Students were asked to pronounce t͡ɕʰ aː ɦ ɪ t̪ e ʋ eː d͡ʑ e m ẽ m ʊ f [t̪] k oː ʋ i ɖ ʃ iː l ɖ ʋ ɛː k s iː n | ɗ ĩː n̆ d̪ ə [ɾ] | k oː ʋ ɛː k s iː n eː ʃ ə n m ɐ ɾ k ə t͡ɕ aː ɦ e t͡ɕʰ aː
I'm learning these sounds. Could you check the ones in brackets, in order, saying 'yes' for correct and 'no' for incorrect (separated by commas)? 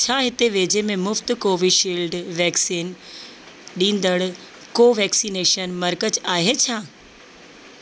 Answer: yes, no